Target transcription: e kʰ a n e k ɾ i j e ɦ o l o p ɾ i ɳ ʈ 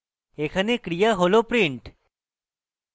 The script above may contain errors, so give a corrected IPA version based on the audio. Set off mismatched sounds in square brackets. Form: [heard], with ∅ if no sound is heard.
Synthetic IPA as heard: e kʰ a n e k ɾ i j [a] ɦ o l o p ɾ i ɳ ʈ

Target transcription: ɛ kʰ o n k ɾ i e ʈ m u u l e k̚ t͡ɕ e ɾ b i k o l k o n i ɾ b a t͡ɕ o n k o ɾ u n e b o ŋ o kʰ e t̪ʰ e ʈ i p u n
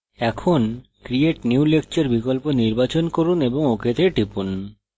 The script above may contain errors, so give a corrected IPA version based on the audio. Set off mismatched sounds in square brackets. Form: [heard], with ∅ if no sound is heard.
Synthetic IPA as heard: ɛ kʰ o n k ɾ i e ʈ [n] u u l e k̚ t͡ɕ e ɾ b i k o l [p] o n i ɾ b a t͡ɕ o n k o ɾ u n e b o ŋ o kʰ e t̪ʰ e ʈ i p u n

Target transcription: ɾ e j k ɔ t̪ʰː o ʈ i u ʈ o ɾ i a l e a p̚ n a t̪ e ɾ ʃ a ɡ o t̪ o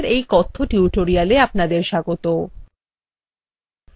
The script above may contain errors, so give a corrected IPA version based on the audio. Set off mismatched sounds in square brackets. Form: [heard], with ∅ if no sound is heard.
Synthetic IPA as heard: ɾ e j k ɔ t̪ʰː o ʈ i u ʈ o ɾ i a l e a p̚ n a [d̪] e ɾ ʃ a ɡ o t̪ o

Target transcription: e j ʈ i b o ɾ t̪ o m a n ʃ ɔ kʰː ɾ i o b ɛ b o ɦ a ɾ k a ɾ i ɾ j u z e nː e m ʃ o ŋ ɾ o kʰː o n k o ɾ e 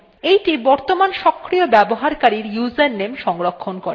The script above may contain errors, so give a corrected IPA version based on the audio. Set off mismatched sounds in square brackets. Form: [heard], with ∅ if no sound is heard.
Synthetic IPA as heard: e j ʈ i b [ɔ] ɾ t̪ o m a n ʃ ɔ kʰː ɾ i o b ɛ b o ɦ a ɾ k a ɾ i ɾ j u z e nː e m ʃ [ɔ] ŋ ɾ o kʰː o n k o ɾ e

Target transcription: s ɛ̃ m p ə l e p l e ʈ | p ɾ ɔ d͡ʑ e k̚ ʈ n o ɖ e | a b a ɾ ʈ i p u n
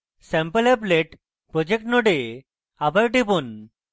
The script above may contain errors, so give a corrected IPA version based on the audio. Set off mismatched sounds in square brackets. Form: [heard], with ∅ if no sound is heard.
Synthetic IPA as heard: s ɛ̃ m p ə l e p l e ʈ | p ɾ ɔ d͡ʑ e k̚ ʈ n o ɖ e | a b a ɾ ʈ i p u n

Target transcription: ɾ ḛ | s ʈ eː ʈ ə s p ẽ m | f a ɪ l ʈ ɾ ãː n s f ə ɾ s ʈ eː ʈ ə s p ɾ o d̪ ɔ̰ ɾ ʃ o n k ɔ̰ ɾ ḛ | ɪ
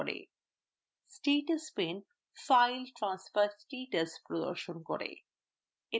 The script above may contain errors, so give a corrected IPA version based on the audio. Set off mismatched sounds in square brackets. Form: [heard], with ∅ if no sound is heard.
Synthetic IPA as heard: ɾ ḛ | s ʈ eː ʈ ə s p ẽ [n] | f a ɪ l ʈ ɾ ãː n s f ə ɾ s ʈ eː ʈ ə s p ɾ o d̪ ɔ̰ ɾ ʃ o n k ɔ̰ ɾ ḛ | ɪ

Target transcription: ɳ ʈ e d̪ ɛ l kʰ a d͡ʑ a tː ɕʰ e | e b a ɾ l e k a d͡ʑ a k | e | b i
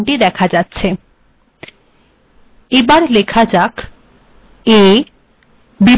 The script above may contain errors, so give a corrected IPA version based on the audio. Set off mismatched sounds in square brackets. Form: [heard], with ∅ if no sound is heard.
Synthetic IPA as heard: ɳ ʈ [i] d̪ ɛ [∅] kʰ a d͡ʑ a tː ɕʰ e | e b a ɾ l e [kʰ] a d͡ʑ a k | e | b i

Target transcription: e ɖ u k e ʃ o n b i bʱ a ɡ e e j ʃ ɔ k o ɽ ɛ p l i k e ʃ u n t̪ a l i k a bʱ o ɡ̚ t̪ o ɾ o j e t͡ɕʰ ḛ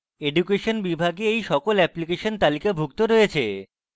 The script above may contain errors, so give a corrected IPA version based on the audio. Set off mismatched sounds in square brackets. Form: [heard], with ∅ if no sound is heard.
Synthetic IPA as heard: e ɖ u k e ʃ o n b i bʱ a ɡ e e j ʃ ɔ k o [l] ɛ p l i k e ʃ [o] n t̪ a l i k a bʱ [u] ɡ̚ t̪ o ɾ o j e t͡ɕʰ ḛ

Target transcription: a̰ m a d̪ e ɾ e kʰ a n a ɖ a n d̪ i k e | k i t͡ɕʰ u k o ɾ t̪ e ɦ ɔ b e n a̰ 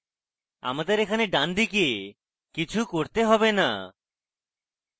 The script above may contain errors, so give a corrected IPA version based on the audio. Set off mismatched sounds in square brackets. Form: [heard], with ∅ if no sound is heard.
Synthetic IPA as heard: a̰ m a d̪ e ɾ e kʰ a n [e] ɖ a n d̪ i k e | k i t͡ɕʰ u k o ɾ t̪ e ɦ ɔ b e n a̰

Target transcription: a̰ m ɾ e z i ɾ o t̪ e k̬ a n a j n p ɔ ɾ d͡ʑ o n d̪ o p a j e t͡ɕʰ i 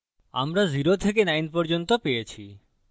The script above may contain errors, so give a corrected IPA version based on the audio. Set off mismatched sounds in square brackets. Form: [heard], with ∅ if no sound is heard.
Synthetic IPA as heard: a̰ m ɾ [a] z i ɾ o [t̪ʰ] e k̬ [e] n a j n p ɔ ɾ d͡ʑ o n [t̪] o p [e] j e t͡ɕʰ i

